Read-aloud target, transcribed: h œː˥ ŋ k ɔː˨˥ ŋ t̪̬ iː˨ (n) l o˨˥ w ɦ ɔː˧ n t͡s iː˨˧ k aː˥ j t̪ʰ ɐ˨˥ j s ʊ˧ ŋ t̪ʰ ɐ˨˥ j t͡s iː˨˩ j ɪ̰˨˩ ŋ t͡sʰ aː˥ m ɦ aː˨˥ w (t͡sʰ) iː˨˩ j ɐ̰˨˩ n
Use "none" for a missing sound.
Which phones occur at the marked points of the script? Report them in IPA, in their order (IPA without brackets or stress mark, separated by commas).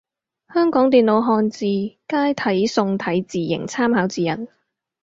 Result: n, t͡s